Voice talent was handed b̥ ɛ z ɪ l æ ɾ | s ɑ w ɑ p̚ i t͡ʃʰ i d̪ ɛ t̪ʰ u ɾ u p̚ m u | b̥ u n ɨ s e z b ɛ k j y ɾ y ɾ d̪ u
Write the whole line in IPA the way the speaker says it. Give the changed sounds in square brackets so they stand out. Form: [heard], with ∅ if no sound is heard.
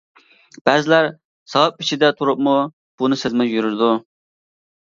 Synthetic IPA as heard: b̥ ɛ z ɪ l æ ɾ | s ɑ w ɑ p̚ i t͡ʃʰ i d̪ ɛ t̪ʰ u ɾ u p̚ m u | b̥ u n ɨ s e z [m] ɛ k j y ɾ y ɾ d̪ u